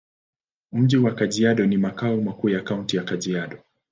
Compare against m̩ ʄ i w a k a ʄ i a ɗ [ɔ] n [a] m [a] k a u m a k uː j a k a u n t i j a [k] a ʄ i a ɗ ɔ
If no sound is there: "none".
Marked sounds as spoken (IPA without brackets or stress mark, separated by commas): ɔ, i, a, k